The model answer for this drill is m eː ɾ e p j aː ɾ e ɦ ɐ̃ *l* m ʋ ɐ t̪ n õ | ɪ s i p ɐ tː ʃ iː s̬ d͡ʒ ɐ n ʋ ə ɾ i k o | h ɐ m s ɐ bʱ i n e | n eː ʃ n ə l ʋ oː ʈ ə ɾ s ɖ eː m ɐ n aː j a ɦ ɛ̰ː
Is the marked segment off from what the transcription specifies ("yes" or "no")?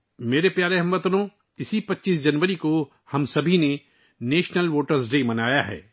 yes